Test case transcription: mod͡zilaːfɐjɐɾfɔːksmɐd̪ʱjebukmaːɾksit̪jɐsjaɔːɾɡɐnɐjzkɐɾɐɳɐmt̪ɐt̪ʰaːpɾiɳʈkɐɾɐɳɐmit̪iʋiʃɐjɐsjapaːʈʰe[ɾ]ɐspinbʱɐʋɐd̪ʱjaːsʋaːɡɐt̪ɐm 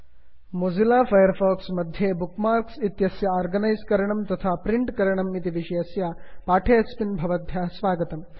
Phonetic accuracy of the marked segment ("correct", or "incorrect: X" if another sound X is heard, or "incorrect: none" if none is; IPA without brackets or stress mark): incorrect: none